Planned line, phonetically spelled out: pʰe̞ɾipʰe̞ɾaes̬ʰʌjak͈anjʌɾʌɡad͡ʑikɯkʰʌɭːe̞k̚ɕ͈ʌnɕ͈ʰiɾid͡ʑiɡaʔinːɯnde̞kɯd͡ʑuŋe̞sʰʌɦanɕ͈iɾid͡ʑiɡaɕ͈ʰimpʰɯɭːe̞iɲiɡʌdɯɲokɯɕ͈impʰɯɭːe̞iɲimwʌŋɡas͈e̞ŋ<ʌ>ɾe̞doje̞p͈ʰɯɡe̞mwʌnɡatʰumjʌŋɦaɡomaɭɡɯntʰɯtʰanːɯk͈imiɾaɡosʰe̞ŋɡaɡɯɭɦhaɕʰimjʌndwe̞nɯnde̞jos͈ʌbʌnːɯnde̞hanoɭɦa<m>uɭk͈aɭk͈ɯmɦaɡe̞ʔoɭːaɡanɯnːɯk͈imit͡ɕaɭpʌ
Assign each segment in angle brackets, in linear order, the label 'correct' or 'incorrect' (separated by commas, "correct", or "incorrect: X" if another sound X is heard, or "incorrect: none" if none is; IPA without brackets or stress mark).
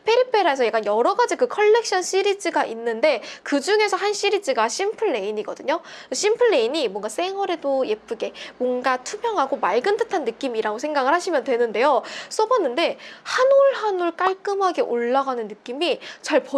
correct, incorrect: n